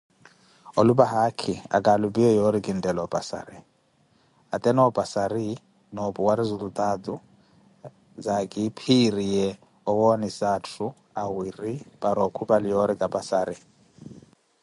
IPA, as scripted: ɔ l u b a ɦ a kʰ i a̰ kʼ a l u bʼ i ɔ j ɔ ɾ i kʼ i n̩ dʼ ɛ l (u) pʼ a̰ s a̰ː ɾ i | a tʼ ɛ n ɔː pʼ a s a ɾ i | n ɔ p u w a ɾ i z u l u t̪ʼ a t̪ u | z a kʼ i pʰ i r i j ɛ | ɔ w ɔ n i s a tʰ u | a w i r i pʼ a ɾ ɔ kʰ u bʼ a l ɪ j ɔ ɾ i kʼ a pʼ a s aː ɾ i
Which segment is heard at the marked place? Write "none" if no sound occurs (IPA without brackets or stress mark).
ɔ